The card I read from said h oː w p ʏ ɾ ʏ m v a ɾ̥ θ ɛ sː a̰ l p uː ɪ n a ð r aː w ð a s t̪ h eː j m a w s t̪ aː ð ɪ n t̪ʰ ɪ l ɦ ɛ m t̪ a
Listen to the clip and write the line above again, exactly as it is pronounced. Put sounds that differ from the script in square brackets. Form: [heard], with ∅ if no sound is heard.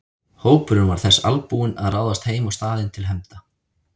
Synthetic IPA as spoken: h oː w p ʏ ɾ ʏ [n] v a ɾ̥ θ ɛ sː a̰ l p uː ɪ n a ð r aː w ð a s t̪ h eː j m a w s t̪ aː ð ɪ n t̪ʰ ɪ l ɦ ɛ m t̪ a